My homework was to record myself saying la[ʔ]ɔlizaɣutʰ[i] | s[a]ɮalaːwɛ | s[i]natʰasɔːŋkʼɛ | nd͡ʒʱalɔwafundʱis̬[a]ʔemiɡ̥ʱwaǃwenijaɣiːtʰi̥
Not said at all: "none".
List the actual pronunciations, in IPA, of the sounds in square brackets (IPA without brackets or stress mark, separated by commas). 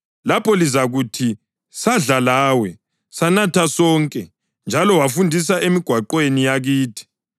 p, i, a, a, a